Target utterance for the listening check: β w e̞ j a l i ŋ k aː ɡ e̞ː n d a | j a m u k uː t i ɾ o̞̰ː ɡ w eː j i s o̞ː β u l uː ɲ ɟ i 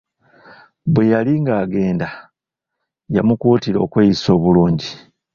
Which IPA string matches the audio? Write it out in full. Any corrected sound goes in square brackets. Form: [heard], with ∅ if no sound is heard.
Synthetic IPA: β w e̞ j a l i ŋ [ɡ] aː ɡ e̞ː n d a | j a m u k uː t i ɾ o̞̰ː [k] w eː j i s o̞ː β u l uː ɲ ɟ i